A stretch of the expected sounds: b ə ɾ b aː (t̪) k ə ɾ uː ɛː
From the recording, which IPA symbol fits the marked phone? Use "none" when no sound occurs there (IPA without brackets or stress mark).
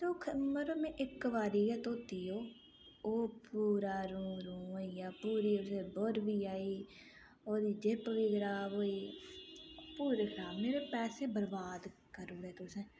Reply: d̪